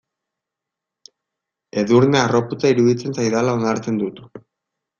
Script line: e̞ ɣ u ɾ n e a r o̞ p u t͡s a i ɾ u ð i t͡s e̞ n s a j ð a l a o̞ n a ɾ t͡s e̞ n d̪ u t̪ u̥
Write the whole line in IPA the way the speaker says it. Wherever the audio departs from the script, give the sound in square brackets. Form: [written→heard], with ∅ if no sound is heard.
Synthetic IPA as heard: e̞ [ɣ→ð] u ɾ n e a r o̞ p u t͡s a i ɾ u ð i t͡s e̞ n s a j ð a l a o̞ n a ɾ t͡s e̞ n d̪ u t̪ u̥